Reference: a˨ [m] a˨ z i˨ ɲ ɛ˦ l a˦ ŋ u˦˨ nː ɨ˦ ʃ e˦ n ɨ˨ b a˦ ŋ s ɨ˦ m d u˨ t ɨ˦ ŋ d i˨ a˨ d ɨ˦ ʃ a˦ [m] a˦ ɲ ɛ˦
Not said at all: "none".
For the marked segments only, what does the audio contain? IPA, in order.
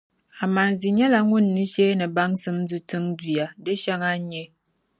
m, ŋ

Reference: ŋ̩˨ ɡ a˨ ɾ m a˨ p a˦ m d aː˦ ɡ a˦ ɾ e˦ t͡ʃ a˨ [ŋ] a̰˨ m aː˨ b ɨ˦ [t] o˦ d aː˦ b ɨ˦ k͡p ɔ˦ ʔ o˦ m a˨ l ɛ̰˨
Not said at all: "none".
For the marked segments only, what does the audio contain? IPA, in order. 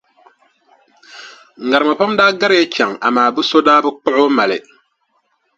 ŋ, s

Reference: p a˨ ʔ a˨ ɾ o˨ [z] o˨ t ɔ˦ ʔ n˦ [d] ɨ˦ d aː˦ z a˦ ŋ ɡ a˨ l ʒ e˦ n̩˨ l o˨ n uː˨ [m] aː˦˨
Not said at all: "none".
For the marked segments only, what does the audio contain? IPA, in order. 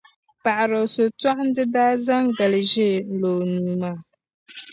s, d, m

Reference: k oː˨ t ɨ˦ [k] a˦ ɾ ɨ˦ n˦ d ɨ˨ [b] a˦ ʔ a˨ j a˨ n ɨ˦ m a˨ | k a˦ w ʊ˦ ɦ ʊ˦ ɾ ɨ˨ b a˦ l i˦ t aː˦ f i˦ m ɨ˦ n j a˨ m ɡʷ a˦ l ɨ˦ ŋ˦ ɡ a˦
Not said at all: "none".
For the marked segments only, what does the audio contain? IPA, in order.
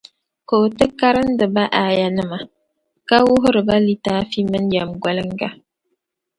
k, b

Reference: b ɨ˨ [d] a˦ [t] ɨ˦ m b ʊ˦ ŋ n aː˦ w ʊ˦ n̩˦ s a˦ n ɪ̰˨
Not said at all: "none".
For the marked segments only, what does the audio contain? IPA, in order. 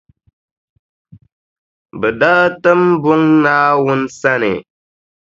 d, t

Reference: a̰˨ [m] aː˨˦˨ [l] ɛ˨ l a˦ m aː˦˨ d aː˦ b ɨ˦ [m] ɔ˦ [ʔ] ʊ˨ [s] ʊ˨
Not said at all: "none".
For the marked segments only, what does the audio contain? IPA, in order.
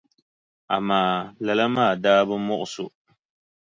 m, l, m, ʔ, s

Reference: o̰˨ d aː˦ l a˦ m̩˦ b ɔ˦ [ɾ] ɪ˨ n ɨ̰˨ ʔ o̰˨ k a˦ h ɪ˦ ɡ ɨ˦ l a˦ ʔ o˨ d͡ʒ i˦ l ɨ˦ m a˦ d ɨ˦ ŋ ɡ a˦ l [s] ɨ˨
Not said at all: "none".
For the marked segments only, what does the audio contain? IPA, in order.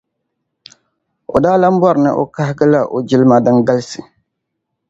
ɾ, s

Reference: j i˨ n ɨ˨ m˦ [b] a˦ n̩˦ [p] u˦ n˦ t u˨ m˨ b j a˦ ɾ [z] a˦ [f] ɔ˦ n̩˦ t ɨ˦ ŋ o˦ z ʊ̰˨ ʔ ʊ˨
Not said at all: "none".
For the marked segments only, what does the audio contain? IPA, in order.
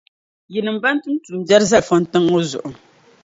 b, t, z, f

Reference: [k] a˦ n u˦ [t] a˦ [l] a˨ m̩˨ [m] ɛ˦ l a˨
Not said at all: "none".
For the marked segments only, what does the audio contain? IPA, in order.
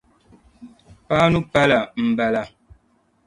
p, p, l, b

